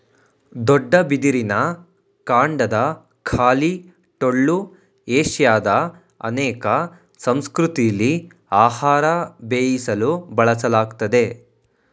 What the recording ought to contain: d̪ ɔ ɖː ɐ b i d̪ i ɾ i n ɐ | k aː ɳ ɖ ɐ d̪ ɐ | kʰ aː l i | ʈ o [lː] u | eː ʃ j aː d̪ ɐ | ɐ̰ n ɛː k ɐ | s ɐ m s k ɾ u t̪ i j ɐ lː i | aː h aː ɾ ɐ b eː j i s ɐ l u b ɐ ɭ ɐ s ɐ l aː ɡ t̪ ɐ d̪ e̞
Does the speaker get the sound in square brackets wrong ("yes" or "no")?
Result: yes